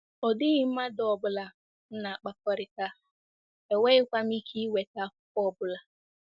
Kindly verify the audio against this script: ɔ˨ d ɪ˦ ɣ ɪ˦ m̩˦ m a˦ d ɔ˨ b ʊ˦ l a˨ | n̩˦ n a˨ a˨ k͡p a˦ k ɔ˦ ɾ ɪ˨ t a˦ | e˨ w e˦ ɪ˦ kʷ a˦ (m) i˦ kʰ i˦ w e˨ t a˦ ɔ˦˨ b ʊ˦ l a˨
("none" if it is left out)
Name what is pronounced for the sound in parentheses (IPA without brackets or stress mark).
m